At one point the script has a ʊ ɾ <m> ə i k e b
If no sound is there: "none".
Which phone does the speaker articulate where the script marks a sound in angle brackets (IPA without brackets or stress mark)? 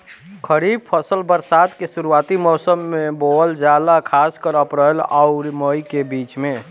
m